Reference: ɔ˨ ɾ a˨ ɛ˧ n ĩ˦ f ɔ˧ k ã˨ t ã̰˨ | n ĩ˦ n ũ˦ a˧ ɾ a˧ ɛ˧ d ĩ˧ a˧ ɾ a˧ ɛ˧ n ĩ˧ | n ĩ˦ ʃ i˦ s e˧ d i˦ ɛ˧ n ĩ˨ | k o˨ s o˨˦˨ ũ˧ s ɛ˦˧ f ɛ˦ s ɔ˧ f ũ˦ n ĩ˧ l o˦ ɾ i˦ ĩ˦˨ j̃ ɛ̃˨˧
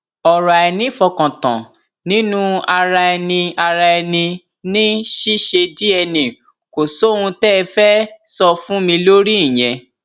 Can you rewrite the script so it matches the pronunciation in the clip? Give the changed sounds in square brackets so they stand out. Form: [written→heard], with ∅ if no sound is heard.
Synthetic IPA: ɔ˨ ɾ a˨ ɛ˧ n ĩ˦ f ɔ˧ k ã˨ t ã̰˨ | n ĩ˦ n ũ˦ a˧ ɾ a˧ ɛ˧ [d→n] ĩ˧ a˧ ɾ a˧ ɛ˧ n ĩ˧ | n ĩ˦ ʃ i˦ [s→ʃ] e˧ d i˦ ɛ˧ n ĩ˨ | k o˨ s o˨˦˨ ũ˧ [s→t] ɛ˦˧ f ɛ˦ s ɔ˧ f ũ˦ [n→m] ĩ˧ l o˦ ɾ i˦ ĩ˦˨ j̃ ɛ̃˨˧